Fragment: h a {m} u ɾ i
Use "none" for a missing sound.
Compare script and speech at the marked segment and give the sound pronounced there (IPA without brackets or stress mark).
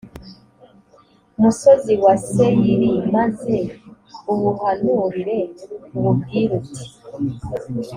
n